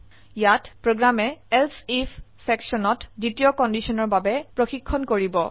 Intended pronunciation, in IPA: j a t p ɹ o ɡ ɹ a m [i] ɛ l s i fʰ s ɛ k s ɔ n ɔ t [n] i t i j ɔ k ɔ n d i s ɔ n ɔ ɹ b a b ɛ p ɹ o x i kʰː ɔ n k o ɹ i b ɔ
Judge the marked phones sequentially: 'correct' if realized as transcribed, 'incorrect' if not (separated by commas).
incorrect, incorrect